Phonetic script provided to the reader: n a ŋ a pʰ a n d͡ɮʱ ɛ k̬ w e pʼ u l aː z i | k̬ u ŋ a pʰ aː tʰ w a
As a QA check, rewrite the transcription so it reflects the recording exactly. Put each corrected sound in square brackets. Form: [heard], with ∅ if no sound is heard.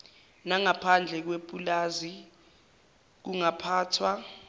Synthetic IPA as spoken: n a ŋ a pʰ a n d͡ɮʱ ɛ k̬ w e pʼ u l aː z i | k̬ u ŋ a pʰ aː tʰ w a